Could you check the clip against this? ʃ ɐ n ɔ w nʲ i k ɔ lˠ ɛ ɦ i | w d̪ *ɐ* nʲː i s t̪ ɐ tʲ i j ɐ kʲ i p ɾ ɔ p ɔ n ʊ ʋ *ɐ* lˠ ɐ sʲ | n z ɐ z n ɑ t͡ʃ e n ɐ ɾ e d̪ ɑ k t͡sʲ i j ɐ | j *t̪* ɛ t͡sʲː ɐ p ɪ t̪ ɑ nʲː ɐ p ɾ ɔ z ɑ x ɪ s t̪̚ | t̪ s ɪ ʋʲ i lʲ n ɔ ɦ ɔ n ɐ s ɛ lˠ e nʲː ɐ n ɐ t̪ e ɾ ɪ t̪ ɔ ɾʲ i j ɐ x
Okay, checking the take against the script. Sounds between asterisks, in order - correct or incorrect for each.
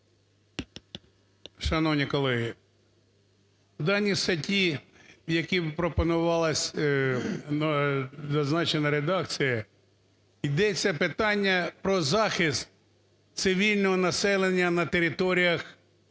incorrect, incorrect, incorrect

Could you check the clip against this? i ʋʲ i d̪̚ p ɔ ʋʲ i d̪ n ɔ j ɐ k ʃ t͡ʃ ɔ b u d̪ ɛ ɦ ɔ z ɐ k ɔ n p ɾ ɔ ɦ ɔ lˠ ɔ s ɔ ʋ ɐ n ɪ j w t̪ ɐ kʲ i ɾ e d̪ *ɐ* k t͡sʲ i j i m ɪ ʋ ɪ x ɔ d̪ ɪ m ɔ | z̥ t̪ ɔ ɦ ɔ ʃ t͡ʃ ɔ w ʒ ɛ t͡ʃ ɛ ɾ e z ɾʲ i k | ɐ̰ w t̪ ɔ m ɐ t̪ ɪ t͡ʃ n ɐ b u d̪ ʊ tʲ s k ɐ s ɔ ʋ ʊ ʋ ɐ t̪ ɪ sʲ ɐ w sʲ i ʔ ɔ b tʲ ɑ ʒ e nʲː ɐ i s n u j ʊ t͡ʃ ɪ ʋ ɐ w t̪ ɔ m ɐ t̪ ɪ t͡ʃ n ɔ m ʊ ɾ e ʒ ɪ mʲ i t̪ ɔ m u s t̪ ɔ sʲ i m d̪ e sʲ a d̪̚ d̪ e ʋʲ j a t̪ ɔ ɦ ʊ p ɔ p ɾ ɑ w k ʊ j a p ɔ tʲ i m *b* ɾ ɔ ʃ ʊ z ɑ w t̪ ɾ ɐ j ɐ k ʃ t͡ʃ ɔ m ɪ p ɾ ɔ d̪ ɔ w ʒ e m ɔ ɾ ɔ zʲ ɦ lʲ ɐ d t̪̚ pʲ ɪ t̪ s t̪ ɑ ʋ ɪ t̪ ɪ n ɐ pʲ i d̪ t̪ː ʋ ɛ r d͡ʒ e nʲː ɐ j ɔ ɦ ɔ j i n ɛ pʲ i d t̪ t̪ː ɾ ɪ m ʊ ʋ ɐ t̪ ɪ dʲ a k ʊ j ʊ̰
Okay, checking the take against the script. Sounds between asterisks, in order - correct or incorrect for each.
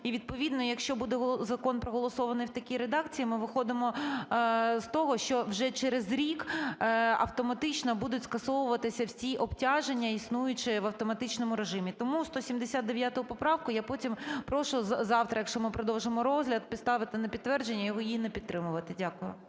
incorrect, incorrect

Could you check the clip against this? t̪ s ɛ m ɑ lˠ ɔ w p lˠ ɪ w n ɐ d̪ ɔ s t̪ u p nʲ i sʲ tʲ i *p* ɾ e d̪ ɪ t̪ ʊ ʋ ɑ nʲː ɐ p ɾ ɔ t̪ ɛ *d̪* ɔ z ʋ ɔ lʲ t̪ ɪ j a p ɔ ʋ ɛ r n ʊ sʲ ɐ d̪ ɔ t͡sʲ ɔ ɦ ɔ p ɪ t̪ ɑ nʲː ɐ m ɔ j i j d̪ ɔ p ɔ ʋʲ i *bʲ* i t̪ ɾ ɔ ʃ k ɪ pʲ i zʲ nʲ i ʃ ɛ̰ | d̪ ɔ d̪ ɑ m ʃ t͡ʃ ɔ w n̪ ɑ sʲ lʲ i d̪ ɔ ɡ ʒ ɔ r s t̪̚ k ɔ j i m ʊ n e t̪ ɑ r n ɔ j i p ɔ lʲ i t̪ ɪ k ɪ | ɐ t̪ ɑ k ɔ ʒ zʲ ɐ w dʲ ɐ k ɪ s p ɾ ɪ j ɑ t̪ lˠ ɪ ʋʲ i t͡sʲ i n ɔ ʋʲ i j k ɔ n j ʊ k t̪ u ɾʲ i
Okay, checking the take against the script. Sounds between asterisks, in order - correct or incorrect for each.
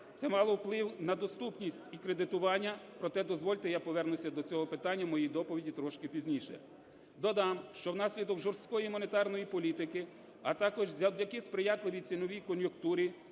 incorrect, correct, incorrect

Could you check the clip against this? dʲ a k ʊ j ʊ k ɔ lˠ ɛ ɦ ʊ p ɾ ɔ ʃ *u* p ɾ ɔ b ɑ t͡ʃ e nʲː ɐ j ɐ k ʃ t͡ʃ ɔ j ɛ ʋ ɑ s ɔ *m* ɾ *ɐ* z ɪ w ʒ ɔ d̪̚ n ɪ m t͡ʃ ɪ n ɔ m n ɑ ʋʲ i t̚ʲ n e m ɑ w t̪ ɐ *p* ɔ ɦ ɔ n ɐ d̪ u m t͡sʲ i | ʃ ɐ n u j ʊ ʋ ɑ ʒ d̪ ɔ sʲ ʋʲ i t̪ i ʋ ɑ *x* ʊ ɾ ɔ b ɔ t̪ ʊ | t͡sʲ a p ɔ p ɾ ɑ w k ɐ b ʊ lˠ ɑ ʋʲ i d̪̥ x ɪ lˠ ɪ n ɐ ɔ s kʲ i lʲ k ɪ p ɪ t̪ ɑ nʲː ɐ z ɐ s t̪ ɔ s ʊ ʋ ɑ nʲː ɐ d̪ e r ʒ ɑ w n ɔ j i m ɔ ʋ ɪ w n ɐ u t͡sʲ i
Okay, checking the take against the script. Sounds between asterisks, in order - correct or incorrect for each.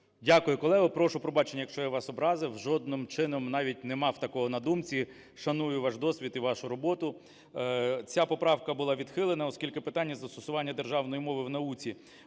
incorrect, incorrect, incorrect, incorrect, incorrect

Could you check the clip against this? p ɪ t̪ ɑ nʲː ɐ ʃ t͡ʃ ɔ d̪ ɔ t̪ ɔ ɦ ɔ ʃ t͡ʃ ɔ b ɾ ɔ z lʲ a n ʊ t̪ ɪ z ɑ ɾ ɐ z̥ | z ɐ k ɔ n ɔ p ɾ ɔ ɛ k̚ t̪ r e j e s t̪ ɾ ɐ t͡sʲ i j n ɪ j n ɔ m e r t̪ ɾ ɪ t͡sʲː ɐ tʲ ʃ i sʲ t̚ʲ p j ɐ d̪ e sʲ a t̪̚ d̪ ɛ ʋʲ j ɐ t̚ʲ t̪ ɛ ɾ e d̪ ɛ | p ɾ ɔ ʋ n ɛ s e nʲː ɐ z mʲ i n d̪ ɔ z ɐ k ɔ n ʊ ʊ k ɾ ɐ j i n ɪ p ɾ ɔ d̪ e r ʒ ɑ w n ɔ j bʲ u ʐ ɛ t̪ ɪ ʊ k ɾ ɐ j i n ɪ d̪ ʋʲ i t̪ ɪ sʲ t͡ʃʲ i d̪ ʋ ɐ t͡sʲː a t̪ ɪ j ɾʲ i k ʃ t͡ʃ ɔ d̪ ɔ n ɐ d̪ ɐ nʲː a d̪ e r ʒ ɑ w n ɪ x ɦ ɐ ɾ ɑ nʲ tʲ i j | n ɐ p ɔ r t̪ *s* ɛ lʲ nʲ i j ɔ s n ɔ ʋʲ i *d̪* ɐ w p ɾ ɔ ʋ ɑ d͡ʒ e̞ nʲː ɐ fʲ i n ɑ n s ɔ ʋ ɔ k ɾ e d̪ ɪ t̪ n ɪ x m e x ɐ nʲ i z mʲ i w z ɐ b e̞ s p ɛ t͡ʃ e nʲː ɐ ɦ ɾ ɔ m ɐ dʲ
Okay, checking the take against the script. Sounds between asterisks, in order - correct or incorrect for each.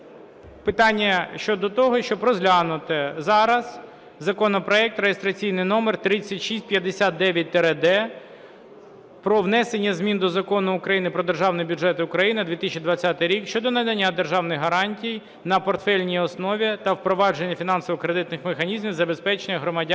incorrect, incorrect

